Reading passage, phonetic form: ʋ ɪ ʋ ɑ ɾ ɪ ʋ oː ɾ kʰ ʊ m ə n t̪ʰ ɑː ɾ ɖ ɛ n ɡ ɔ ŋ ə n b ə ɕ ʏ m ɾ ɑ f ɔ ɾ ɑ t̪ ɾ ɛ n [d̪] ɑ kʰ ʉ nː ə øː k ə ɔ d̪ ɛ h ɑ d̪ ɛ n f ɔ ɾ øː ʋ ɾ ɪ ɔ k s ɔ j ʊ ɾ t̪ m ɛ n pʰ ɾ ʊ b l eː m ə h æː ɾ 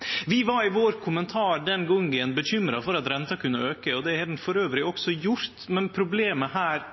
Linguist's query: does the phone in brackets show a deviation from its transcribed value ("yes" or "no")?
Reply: yes